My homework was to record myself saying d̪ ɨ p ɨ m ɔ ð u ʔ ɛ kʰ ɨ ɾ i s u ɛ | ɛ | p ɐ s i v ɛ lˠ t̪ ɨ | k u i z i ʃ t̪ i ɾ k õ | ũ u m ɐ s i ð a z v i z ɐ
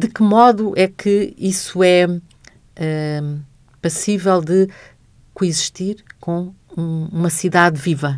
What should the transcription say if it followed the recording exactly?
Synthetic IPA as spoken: d̪ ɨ k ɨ m ɔ ð u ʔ ɛ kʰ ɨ i s u ɛ | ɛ | p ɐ s i v ɛ lˠ d̪ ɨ | k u i z i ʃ t̪ i ɾ k õ | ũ u m ɐ s i ð a ð v i v ɐ